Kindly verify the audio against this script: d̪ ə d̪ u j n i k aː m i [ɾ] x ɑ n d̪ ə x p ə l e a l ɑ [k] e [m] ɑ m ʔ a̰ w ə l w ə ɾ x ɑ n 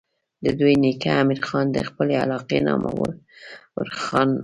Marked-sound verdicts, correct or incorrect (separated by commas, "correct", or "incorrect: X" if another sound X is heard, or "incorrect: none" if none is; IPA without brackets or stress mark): correct, incorrect: q, incorrect: n